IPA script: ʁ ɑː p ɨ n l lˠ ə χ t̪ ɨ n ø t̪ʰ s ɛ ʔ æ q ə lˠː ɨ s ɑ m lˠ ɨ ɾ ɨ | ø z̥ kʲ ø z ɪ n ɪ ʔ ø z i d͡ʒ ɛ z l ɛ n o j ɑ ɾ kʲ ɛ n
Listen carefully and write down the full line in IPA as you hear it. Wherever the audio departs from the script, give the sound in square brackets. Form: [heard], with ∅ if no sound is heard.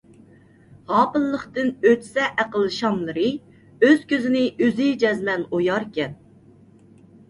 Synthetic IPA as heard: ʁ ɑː p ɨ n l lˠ ə χ t̪ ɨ n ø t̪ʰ s ɛ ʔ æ q ə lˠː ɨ [ʃ] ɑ m lˠ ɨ ɾ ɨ | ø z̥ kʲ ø z ɪ n ɪ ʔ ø z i d͡ʒ ɛ z l ɛ n o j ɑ ɾ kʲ ɛ n